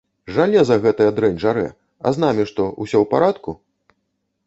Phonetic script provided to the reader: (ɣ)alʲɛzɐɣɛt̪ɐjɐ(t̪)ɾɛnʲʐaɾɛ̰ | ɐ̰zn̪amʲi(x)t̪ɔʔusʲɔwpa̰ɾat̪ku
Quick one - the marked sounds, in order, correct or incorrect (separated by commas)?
incorrect, incorrect, incorrect